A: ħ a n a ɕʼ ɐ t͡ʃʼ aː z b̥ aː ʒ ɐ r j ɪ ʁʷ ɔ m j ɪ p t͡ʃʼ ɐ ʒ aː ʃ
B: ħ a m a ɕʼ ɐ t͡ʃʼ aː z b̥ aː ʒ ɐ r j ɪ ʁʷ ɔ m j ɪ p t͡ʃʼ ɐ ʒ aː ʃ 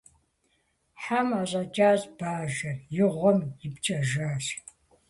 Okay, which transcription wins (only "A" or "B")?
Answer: B